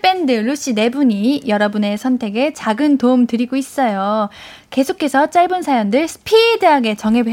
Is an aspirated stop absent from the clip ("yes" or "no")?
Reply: no